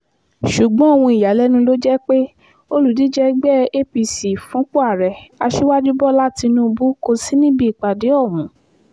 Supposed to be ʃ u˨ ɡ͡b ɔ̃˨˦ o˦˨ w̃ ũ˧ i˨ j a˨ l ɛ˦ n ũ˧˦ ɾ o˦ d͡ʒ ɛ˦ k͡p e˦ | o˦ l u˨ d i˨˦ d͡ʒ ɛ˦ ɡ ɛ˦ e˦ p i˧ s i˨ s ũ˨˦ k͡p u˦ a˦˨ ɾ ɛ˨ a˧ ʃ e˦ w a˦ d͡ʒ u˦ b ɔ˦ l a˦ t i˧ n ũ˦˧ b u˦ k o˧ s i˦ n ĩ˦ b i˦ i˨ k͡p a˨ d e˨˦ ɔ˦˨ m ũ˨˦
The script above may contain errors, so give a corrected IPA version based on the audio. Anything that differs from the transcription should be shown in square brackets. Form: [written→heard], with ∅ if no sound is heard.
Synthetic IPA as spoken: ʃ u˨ ɡ͡b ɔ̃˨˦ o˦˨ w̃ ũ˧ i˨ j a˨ l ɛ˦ n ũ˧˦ [ɾ→l] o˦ d͡ʒ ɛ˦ k͡p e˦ | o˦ l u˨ d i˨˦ d͡ʒ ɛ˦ [ɡ→ɡ͡b] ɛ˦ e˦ p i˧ s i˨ [s→f] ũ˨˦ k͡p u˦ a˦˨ ɾ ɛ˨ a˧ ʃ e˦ w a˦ d͡ʒ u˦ b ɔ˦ l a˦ t i˧ n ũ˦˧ b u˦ k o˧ s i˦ n ĩ˦ b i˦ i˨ k͡p a˨ d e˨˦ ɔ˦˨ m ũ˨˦